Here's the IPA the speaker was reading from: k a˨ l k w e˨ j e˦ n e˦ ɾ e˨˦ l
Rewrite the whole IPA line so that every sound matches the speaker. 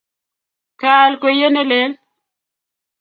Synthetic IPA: k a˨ l k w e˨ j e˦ n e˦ l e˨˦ l